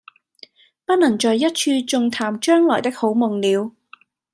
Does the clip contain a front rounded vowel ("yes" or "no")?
yes